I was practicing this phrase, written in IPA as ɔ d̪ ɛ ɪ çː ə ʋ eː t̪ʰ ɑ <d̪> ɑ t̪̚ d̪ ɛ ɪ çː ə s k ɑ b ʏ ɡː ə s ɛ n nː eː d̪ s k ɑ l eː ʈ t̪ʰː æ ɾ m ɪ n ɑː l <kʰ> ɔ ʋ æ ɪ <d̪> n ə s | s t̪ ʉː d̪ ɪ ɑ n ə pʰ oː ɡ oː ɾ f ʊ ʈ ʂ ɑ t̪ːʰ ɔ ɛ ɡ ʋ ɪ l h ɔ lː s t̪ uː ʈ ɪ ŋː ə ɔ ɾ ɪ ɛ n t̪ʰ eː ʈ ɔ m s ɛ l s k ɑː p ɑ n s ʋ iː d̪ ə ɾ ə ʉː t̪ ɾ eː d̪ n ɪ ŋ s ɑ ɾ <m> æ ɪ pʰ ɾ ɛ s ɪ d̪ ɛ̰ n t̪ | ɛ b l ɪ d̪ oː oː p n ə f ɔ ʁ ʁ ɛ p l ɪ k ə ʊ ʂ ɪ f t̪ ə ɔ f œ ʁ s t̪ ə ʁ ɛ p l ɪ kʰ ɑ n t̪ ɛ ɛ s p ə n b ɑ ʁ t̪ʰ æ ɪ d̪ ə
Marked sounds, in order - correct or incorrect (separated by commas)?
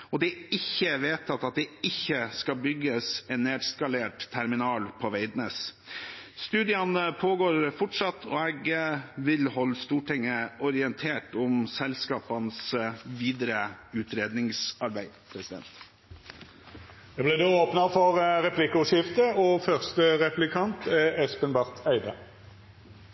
incorrect, incorrect, correct, incorrect